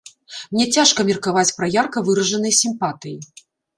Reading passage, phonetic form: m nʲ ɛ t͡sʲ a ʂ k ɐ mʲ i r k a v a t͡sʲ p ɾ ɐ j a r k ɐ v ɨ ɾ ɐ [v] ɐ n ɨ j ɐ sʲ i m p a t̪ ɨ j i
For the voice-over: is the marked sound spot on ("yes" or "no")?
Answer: no